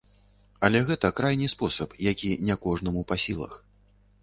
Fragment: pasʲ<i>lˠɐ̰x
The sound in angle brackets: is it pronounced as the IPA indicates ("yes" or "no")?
yes